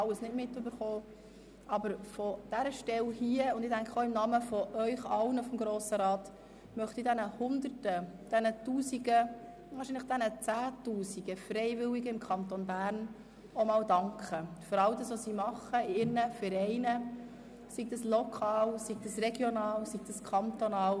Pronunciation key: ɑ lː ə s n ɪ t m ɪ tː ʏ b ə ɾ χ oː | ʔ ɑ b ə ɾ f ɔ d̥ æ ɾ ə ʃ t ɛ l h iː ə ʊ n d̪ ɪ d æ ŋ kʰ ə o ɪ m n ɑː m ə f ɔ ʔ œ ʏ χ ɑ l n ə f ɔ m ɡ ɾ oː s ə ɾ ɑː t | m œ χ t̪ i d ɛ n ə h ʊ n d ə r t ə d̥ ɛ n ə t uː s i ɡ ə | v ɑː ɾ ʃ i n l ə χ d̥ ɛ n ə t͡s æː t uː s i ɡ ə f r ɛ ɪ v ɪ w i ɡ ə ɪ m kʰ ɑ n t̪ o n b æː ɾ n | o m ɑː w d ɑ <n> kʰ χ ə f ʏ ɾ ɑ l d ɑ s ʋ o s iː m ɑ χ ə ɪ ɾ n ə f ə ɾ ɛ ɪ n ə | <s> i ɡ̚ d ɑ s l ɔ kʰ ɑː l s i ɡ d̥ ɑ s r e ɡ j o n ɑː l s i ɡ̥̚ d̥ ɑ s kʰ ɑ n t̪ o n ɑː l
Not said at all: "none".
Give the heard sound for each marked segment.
ŋ, s

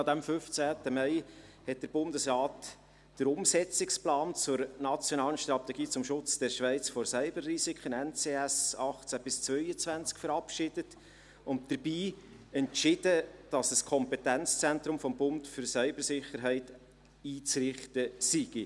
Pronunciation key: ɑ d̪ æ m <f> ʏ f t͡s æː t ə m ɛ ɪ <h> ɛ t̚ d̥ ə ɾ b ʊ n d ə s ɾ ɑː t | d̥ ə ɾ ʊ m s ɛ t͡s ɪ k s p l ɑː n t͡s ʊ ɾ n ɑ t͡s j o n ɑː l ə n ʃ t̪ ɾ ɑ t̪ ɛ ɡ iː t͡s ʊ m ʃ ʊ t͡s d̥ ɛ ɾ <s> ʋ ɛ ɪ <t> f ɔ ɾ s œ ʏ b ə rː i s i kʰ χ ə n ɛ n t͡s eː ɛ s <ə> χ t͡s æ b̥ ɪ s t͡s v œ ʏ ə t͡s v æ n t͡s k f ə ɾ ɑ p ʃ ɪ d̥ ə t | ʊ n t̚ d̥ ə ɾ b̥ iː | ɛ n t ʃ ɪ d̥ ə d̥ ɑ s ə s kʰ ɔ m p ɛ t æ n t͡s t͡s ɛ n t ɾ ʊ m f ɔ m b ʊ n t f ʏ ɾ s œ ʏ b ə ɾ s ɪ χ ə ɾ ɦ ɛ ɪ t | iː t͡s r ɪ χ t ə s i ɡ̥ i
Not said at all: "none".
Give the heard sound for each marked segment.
f, h, ʃ, t͡s, ɑ

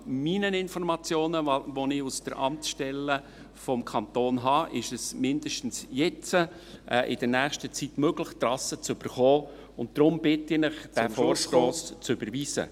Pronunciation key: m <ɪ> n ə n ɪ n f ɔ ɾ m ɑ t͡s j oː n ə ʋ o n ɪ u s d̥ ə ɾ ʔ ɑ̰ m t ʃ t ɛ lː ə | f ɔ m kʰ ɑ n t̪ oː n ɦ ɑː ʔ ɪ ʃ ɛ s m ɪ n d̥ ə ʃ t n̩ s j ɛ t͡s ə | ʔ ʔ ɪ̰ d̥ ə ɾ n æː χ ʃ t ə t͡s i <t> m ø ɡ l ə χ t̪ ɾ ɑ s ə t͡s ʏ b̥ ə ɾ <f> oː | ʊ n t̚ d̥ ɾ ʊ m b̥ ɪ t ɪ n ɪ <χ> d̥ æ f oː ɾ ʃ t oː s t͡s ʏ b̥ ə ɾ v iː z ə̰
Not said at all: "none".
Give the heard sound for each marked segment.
i, t, χ, χ

